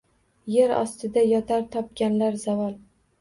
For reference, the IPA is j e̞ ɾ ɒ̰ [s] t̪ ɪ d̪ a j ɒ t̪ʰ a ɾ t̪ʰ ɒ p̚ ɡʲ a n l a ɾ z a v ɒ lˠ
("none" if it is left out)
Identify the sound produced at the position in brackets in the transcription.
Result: s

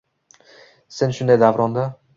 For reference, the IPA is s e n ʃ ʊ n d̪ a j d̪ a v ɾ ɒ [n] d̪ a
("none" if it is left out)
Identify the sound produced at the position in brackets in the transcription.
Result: n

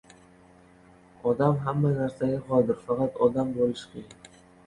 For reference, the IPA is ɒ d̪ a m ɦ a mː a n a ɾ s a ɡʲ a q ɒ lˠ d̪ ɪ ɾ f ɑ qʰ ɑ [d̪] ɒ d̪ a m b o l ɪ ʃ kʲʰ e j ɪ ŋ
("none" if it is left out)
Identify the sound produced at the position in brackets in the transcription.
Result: t̪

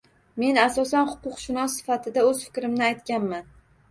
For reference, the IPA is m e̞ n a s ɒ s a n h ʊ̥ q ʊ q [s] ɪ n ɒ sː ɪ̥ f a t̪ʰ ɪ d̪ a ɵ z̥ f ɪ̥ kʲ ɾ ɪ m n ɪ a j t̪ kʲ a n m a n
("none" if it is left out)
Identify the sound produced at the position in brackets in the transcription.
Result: ʃ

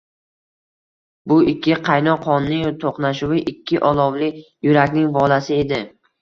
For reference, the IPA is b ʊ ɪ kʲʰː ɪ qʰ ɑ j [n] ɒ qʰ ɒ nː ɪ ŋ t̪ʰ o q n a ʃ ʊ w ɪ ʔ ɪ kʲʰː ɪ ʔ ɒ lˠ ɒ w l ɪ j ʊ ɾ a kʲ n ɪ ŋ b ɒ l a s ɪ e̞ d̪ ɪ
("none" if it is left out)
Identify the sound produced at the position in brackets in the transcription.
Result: n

